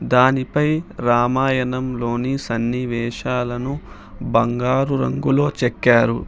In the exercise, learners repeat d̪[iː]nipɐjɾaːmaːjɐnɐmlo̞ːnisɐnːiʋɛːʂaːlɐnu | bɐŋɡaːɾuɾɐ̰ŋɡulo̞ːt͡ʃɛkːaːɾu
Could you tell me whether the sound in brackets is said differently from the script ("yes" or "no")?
yes